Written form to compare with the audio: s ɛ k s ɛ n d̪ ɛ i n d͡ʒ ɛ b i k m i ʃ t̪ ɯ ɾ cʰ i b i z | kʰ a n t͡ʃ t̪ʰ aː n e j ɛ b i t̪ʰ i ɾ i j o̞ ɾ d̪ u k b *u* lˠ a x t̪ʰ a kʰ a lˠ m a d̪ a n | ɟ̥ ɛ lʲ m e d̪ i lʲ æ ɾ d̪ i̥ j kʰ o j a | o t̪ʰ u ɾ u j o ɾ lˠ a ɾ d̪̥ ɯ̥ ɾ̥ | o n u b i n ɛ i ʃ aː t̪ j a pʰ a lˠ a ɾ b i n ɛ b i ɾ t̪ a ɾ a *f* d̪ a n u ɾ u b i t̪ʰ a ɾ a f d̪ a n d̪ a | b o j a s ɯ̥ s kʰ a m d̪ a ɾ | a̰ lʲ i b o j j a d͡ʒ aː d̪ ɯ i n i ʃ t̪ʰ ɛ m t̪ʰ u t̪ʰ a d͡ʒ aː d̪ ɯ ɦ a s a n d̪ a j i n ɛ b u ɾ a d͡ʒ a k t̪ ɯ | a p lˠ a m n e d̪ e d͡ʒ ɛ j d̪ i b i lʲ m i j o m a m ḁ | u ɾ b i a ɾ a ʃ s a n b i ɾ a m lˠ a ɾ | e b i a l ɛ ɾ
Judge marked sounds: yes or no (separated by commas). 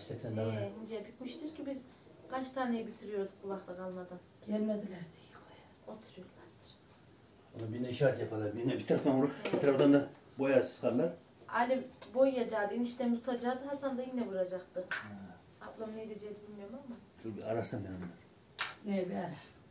yes, yes